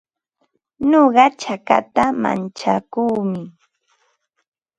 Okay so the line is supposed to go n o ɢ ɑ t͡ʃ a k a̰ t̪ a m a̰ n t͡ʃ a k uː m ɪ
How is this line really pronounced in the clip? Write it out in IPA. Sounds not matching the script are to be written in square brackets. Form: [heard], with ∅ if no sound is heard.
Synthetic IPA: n o ɢ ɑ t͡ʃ a k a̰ t̪ a m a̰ n t͡ʃ a k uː m ɪ